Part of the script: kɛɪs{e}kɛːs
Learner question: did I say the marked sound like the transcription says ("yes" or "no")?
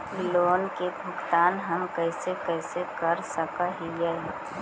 yes